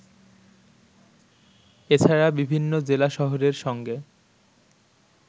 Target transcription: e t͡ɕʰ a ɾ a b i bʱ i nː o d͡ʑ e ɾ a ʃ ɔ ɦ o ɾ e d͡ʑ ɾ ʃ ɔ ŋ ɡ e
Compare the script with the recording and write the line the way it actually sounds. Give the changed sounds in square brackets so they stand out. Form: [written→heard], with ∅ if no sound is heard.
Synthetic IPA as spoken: e t͡ɕʰ a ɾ a b i bʱ i nː o d͡ʑ e [ɾ→l] a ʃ ɔ ɦ o ɾ e [d͡ʑ→∅] ɾ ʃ ɔ ŋ ɡ e